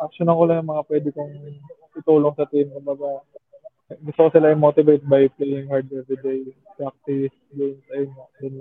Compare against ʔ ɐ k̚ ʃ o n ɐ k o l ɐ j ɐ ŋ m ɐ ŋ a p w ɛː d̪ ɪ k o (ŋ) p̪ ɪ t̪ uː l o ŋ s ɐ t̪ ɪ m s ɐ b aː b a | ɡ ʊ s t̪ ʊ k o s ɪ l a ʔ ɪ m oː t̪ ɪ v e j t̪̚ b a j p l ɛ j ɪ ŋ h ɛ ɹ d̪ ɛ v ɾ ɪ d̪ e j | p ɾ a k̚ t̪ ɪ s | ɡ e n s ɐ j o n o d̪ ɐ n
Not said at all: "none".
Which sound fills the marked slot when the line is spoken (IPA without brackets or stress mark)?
ŋ